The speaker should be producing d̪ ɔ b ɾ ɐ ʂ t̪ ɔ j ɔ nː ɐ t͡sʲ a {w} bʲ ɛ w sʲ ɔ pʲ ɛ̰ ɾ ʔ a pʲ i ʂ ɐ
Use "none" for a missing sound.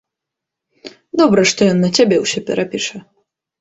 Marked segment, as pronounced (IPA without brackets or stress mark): none